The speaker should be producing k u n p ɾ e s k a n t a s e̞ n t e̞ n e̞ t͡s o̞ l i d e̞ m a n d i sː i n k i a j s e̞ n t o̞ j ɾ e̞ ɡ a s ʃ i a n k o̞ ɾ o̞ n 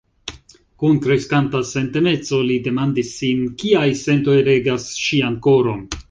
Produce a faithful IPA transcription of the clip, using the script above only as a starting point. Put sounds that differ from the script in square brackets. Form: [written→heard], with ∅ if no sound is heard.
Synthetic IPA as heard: k u n [p→k] ɾ e s k a n t a s e̞ n t e̞ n e̞ t͡s o̞ l i d e̞ m a n d i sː i n k i a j s e̞ n t o̞ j ɾ e̞ ɡ a s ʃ i a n k o̞ ɾ o̞ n